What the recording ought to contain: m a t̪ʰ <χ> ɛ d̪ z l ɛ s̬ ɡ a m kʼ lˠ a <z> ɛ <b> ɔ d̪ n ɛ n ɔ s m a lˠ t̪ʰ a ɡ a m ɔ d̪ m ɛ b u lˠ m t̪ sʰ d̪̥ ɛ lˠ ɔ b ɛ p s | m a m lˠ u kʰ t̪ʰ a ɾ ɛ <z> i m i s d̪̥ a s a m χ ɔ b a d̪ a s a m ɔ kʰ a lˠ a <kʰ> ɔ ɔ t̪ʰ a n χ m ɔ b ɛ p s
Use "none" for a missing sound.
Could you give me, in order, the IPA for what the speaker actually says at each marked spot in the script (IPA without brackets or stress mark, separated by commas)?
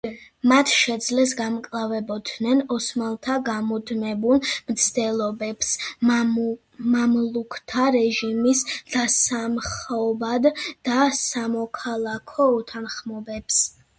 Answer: ʃ, v, b, ʒ, kʰ